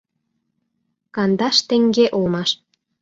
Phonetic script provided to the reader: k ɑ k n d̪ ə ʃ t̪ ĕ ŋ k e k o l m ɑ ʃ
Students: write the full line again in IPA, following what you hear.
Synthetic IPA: k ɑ n d̪ ɑ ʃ t̪ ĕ ŋ ɡ e ʔ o l m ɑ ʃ